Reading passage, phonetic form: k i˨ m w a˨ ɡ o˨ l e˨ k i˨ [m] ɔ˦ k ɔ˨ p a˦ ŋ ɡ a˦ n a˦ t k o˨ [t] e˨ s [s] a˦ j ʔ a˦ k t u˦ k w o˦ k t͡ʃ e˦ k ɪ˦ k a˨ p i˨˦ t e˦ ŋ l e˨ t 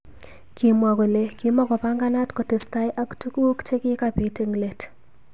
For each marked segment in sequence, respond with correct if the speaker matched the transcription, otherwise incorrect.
correct, correct, incorrect

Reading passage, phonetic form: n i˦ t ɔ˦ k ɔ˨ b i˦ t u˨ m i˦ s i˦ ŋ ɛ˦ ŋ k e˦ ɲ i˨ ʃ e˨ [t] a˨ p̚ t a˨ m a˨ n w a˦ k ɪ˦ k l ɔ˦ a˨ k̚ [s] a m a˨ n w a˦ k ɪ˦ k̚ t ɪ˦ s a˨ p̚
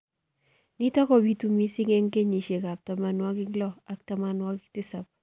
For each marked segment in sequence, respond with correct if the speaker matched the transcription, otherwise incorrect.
incorrect, incorrect

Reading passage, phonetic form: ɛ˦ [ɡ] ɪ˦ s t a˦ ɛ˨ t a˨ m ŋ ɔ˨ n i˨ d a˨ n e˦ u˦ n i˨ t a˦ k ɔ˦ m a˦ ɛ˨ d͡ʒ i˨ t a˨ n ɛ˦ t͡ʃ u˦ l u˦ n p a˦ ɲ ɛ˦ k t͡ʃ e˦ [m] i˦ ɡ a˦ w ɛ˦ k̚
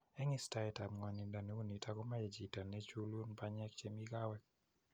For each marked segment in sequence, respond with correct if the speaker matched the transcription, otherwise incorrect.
incorrect, correct

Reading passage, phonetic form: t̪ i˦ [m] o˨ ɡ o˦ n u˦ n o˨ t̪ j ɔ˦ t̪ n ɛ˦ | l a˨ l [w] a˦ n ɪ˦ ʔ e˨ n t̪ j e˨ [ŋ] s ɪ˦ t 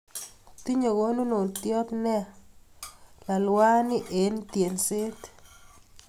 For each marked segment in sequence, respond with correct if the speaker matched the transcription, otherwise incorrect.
incorrect, correct, incorrect

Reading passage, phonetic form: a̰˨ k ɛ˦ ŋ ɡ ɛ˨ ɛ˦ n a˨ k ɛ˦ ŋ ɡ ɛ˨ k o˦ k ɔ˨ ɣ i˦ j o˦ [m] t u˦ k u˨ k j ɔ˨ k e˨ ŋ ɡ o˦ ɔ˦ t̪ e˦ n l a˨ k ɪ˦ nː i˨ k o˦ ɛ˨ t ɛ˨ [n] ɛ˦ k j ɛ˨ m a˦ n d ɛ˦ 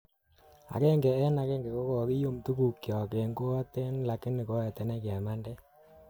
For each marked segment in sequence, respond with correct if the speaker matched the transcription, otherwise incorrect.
correct, correct

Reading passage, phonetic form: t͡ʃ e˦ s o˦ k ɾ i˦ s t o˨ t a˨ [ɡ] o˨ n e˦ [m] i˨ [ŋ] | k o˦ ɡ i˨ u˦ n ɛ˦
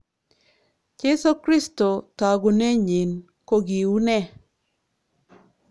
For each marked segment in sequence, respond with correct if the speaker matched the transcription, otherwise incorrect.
correct, incorrect, incorrect

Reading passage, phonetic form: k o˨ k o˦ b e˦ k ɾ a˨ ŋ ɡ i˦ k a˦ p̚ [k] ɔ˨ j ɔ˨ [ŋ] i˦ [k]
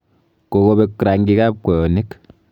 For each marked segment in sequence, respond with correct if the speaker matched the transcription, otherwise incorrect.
correct, incorrect, correct

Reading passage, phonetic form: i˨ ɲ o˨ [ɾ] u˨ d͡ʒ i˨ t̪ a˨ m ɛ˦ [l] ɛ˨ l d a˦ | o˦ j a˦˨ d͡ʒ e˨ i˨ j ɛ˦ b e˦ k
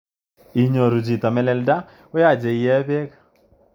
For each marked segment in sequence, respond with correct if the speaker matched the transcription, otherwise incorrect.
correct, correct

